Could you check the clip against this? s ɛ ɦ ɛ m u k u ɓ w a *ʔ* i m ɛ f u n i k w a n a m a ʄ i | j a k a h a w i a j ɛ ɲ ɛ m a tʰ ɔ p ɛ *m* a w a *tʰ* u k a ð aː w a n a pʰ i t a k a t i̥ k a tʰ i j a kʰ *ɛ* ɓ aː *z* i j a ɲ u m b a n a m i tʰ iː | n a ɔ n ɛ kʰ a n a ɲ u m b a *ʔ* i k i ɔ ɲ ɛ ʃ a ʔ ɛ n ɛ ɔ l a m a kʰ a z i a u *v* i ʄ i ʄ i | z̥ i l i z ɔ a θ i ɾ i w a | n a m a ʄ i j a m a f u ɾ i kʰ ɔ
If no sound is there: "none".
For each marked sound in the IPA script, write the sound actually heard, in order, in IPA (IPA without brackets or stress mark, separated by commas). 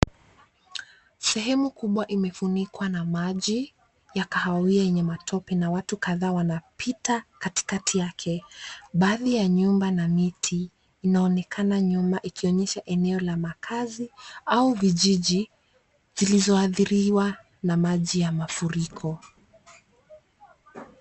ʔ, n, t, ɛ, ð, ʔ, v